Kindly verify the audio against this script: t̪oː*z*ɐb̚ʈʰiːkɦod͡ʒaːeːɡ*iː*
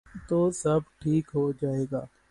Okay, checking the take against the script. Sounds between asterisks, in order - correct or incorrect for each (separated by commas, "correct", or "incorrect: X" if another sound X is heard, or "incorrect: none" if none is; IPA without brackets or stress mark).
incorrect: s, incorrect: aː